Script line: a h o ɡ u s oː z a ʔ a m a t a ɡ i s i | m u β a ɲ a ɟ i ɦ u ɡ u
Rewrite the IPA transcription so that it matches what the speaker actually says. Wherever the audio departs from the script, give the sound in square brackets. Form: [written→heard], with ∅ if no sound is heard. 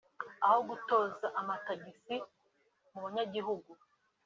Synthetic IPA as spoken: a h o ɡ u [s→t] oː z a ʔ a m a t a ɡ i s i | m u β a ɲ a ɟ i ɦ u ɡ u